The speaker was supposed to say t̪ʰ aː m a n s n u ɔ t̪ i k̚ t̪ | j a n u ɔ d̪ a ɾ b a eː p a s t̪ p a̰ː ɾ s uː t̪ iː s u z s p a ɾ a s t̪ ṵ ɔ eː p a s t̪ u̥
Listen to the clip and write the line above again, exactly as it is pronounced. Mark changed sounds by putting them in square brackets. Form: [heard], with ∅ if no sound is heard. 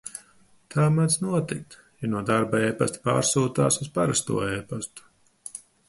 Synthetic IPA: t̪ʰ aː m a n s n u ɔ t̪ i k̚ t̪ | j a n u ɔ d̪ a ɾ b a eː p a s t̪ p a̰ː ɾ s uː t̪ [aː] s u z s p a ɾ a s t̪ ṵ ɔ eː p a s t̪ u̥